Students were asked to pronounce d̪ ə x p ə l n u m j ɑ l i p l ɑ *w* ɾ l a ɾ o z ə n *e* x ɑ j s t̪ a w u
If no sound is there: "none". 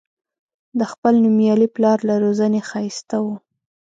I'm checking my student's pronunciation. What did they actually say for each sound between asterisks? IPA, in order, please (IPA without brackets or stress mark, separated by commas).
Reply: none, e